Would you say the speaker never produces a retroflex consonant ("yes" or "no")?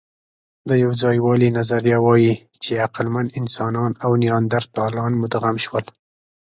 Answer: yes